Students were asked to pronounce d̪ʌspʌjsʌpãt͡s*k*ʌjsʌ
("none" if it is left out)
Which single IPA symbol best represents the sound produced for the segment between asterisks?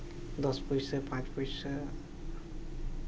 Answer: p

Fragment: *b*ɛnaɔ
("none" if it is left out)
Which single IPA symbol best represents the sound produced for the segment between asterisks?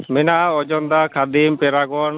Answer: m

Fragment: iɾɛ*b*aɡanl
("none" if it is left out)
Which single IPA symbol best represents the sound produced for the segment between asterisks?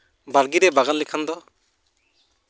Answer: b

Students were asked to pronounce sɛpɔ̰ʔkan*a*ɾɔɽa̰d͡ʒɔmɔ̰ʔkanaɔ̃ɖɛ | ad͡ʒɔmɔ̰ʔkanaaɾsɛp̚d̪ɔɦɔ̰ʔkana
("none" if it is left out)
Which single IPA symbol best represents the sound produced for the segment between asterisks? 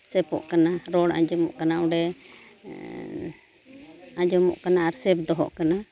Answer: a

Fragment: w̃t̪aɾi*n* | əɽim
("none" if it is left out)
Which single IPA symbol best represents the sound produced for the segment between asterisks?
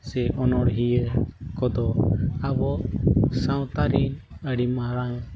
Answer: n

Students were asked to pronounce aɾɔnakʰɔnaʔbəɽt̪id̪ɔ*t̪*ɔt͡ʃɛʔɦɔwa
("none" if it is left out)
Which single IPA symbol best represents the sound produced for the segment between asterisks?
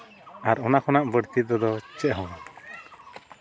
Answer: d̪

